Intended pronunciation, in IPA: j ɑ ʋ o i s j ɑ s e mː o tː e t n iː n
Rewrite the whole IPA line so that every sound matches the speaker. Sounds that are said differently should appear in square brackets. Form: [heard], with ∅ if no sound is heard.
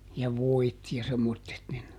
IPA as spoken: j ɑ ʋ o i [t] j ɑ s e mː o tː e t n [i] n